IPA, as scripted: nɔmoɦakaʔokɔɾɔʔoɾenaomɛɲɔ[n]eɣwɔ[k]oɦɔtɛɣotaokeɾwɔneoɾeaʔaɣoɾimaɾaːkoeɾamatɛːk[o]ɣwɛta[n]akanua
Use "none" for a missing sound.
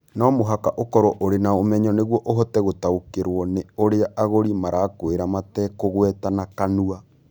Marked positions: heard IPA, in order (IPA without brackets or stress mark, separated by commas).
n, ʔ, o, n